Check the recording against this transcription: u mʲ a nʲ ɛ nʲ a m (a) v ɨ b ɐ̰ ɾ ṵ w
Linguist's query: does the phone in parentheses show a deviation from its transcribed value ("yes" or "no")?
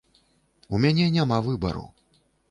no